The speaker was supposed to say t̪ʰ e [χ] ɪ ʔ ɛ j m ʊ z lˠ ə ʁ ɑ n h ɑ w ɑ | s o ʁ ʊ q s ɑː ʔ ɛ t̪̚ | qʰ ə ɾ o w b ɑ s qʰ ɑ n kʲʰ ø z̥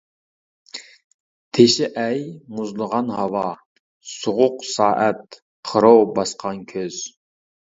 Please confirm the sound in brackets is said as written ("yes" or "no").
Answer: no